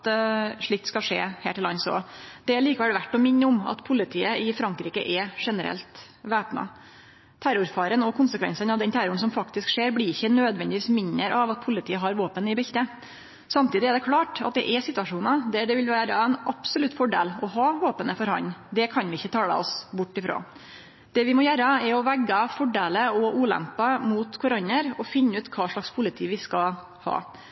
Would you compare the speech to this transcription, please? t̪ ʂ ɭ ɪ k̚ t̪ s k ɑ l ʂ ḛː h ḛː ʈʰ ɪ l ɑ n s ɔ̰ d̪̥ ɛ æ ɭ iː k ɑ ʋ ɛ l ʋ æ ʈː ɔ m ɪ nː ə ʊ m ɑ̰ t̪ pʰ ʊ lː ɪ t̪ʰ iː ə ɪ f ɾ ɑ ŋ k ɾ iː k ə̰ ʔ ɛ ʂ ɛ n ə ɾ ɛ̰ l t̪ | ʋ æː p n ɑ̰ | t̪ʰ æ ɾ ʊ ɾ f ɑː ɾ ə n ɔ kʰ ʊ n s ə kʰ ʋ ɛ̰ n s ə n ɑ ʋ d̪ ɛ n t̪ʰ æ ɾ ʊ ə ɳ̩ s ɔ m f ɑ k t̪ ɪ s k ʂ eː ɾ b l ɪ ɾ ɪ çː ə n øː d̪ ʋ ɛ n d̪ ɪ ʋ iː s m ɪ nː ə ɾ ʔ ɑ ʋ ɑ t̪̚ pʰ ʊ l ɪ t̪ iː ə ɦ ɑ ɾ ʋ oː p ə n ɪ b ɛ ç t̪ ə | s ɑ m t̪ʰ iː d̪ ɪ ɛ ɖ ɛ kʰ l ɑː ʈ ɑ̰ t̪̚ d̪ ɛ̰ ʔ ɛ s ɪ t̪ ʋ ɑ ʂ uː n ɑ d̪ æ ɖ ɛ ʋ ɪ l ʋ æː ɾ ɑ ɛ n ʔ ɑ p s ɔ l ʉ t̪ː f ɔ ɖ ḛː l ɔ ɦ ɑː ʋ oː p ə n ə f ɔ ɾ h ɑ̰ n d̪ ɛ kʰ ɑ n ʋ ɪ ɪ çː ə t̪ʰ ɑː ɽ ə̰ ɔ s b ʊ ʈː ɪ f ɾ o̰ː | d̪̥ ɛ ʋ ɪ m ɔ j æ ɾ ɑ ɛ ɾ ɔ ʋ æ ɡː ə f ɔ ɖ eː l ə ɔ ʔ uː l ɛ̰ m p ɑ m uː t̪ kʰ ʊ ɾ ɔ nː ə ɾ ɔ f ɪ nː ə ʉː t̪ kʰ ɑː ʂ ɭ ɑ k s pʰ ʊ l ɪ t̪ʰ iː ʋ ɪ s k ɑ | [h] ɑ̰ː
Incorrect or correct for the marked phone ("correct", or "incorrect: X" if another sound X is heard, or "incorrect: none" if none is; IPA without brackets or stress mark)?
correct